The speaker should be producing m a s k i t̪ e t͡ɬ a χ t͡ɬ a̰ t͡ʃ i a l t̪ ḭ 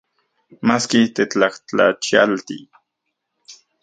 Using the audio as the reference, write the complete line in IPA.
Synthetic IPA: m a s k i t̪ e t͡ɬ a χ t͡ɬ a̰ t͡ʃ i a l t̪ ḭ

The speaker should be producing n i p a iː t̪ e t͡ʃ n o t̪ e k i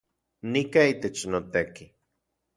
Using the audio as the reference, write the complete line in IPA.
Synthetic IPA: n i k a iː t̪ e t͡ʃ n o t̪ e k i

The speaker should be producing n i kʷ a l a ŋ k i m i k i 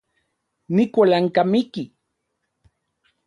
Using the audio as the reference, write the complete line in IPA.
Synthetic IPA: n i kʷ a l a ŋ k a m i k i

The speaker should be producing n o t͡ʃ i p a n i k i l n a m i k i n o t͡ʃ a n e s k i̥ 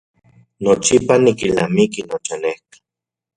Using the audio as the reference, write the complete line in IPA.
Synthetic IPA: n o t͡ʃ i p a n i k i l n a m i k i n o t͡ʃ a n e h k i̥

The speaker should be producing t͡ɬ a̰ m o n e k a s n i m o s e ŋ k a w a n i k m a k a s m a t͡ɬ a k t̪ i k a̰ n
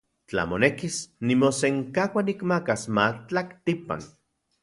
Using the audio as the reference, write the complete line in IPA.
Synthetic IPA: t͡ɬ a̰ m o n e k i s n i m o s e ŋ k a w a n i k m a k a s m a t͡ɬ a k t̪ i p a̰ n

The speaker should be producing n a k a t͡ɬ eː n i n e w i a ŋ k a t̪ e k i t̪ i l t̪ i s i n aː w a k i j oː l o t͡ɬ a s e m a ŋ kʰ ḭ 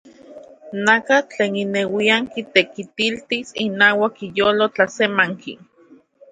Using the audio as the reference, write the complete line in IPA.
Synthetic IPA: n a k a t͡ɬ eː n i n e w i a ŋ k i t̪ e k i t̪ i l t̪ i s i n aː w a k i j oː l o t͡ɬ a s e m a ŋ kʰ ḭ

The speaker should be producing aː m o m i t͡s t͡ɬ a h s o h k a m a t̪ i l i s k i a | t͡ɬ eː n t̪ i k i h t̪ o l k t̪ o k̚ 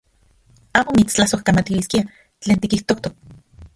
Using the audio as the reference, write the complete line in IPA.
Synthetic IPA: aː m o m i t͡s t͡ɬ a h s o h k a m a t̪ i l i s k i a | t͡ɬ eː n t̪ i k i h t̪ o k t̪ o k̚

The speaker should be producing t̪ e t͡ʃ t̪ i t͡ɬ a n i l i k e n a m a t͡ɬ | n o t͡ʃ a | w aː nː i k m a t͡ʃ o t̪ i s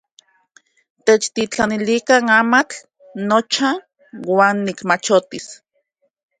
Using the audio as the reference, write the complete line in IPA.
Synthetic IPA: t̪ e t͡ʃ t̪ i t͡ɬ a n i l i k a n a m a t͡ɬ | n o t͡ʃ a | w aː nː i k m a t͡ʃ o t̪ i s

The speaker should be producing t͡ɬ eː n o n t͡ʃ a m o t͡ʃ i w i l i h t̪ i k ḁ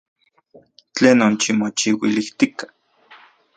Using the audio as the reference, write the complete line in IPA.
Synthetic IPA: t͡ɬ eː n o n t͡ʃ i m o t͡ʃ i w i l i h t̪ i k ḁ

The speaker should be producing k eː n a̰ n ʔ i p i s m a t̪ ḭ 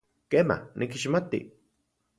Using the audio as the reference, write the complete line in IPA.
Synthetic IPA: k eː m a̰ n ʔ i k i ʃ m a t̪ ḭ

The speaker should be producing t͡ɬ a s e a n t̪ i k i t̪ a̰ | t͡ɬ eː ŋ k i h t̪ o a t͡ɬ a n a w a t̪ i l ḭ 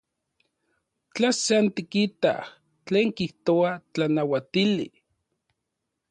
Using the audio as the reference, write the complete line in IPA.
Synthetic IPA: t͡ɬ a s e a n t̪ i k i t̪ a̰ | t͡ɬ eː ŋ k i h t̪ o a t͡ɬ a n a w a t̪ i l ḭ

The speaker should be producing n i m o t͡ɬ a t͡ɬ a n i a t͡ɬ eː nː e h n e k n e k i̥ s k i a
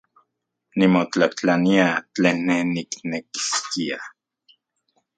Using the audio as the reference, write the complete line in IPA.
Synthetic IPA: n i m o t͡ɬ a t͡ɬ a n i a t͡ɬ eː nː e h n i k n e k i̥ s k i a

